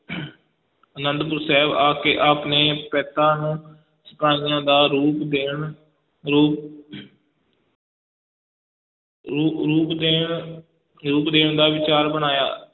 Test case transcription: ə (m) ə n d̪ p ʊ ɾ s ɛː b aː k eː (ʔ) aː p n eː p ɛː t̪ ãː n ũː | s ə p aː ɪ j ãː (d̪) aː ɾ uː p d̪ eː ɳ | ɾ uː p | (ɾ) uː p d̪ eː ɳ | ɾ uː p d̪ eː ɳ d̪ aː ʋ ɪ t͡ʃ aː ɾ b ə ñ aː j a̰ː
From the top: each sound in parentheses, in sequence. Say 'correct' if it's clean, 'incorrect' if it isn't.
incorrect, correct, correct, correct

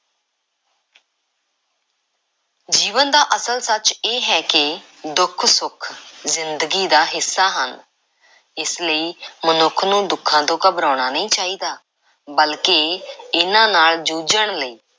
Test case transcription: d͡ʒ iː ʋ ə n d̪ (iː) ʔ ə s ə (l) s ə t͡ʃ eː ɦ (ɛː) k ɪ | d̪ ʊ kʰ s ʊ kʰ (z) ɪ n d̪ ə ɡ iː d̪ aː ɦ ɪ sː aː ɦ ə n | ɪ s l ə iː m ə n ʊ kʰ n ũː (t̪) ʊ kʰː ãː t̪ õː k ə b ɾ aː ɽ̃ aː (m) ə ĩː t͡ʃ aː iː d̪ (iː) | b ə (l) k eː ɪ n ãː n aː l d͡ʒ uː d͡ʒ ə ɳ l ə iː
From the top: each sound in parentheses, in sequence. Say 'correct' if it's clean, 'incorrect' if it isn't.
incorrect, correct, correct, correct, incorrect, incorrect, incorrect, correct

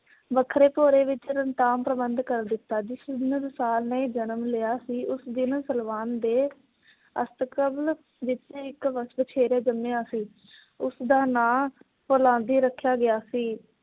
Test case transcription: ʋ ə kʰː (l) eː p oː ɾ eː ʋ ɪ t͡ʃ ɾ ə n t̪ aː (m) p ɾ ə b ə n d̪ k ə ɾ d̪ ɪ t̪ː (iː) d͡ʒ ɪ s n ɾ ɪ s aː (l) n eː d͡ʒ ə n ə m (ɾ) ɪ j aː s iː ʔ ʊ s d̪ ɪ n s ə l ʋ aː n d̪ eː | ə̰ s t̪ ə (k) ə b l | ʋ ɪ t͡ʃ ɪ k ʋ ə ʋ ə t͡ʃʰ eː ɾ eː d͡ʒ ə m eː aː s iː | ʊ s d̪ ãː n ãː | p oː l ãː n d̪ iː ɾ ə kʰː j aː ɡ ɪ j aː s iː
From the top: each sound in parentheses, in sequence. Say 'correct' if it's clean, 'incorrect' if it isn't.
incorrect, correct, incorrect, correct, incorrect, correct

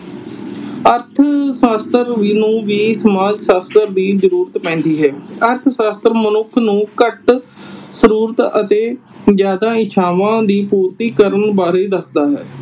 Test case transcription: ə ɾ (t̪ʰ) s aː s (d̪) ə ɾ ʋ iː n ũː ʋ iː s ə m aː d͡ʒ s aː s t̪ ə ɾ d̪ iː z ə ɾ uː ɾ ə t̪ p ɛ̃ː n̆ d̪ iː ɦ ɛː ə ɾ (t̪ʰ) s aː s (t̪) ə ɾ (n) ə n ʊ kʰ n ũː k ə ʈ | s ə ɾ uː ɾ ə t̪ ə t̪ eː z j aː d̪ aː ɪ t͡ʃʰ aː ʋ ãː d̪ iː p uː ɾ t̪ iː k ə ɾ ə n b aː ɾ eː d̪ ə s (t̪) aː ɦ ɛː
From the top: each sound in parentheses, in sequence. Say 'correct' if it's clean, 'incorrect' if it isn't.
correct, incorrect, correct, correct, incorrect, incorrect

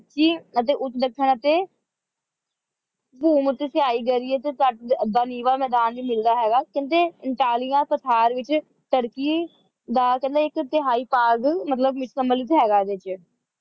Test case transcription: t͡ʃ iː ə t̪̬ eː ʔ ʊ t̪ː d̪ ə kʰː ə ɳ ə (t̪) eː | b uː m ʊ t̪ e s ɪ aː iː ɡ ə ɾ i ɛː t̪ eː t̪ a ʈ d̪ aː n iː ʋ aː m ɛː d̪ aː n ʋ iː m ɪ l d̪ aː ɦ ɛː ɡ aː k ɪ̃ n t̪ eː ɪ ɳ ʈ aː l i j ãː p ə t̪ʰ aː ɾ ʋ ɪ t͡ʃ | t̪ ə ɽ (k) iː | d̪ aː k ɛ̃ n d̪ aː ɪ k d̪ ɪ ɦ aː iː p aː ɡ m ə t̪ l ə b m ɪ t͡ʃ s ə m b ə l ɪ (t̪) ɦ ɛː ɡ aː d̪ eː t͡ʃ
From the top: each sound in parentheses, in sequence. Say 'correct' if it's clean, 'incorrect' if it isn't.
correct, correct, correct

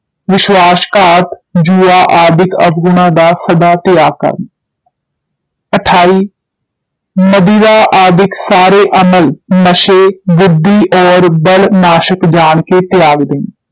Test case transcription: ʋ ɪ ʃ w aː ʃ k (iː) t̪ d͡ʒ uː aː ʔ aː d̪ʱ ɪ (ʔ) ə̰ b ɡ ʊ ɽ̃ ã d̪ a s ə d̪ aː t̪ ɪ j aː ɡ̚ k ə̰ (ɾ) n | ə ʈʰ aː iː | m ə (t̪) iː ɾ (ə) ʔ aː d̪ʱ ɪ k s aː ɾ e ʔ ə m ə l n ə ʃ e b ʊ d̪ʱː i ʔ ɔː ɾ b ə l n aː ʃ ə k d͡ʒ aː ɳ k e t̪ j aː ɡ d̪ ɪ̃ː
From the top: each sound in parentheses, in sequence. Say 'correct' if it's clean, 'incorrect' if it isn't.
incorrect, incorrect, correct, incorrect, incorrect

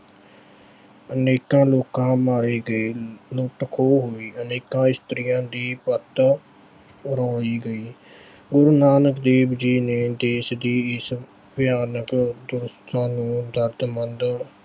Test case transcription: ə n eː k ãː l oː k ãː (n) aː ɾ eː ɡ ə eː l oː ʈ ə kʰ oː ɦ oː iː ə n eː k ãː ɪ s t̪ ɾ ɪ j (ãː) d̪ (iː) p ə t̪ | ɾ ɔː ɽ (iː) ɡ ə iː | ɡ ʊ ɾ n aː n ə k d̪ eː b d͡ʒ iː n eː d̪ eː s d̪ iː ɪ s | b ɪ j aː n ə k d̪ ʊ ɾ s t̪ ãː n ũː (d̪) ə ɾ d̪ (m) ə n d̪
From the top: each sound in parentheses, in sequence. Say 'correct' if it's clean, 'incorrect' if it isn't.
incorrect, correct, correct, correct, correct, correct

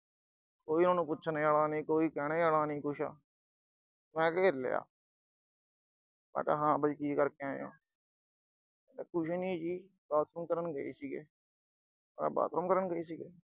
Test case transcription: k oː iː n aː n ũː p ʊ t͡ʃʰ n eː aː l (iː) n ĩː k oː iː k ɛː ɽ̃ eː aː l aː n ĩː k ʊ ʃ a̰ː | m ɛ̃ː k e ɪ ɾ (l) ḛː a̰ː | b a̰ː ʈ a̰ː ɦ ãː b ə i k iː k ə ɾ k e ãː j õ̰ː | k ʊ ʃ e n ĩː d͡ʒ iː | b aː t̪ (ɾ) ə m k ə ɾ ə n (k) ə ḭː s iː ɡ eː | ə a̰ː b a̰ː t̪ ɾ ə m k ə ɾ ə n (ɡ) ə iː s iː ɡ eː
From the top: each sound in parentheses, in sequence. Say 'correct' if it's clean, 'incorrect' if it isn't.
incorrect, correct, correct, incorrect, correct

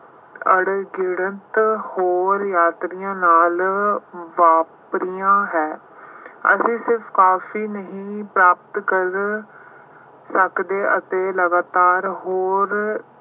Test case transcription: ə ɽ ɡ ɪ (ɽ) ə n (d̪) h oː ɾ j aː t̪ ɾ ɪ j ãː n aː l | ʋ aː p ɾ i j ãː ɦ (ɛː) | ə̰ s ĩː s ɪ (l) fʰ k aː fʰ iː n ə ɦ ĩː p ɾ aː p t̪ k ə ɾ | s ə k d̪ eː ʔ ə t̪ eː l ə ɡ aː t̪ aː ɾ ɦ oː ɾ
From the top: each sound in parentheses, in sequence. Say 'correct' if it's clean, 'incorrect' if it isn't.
correct, incorrect, correct, incorrect

